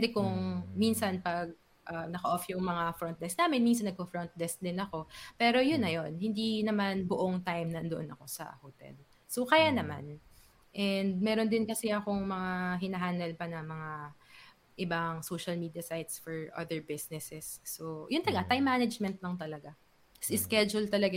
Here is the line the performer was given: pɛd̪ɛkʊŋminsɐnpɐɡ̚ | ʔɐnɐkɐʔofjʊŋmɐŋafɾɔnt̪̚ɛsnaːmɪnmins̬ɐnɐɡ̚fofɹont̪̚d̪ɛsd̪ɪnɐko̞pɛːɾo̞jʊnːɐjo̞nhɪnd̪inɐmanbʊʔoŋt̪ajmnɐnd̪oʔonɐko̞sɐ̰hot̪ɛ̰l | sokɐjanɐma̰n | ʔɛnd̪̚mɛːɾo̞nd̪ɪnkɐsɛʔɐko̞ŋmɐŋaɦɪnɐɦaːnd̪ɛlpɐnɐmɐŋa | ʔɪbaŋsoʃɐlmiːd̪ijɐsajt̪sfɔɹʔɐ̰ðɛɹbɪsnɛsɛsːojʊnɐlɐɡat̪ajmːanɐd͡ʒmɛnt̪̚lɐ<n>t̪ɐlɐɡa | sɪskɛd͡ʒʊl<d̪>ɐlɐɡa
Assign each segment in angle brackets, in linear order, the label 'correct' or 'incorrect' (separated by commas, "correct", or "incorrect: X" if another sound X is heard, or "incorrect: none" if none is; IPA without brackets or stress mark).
incorrect: ŋ, incorrect: t̪